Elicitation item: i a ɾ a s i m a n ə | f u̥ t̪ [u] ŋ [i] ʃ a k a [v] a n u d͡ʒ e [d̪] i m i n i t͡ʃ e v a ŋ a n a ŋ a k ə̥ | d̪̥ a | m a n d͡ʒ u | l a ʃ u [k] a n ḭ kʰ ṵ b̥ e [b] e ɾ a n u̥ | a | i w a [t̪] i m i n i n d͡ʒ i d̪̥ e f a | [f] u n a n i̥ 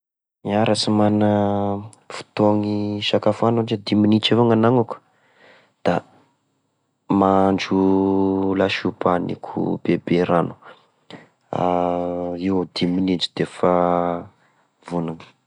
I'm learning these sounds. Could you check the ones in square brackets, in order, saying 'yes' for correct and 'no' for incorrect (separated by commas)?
no, yes, no, yes, no, yes, no, no